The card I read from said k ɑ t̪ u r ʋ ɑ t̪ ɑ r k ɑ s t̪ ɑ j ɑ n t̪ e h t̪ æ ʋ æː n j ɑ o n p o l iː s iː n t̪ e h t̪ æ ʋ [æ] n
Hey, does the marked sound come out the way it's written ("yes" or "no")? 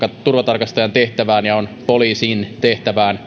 no